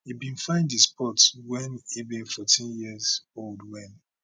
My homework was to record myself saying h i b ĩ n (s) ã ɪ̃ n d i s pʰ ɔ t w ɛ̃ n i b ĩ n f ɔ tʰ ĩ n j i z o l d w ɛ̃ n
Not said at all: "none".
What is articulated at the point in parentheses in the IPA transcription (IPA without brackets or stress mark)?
f